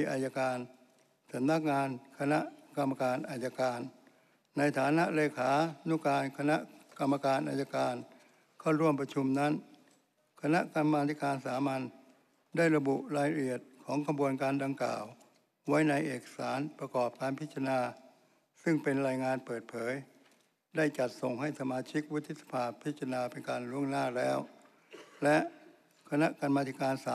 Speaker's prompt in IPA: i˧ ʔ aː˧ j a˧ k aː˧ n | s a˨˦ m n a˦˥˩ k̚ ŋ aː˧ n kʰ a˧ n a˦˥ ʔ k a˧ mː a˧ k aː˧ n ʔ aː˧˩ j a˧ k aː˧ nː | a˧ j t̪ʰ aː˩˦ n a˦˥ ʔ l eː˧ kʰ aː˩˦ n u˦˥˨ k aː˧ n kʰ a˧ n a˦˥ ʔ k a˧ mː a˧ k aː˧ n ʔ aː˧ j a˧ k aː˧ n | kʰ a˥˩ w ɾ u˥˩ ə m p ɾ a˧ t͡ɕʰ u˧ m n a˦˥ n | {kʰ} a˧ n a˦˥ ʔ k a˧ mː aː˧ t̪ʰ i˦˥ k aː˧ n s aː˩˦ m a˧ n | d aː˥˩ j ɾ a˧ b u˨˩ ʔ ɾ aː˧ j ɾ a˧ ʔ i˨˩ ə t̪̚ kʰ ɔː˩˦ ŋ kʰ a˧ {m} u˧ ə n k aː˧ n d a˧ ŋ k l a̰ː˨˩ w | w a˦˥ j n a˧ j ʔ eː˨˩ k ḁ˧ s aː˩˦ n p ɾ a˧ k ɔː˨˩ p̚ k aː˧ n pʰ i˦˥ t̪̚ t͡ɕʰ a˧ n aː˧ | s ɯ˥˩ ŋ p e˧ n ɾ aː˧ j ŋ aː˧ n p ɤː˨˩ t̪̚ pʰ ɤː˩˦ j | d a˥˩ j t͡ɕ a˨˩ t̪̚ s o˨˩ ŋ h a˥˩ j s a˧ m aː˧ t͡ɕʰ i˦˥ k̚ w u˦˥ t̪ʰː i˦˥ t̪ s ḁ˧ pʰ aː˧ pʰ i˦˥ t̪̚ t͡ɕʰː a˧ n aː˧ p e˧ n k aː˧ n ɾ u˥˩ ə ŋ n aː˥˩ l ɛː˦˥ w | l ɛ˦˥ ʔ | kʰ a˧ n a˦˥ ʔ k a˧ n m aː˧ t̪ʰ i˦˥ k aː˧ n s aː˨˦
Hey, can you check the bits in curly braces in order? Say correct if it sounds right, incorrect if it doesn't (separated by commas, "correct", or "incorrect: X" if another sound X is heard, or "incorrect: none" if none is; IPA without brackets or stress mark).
correct, incorrect: b